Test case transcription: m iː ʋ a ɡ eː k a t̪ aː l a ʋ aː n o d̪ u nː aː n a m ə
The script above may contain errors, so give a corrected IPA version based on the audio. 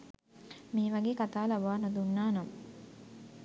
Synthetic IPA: m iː ʋ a ɡ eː k a t̪ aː l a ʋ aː n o d̪ u nː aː n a m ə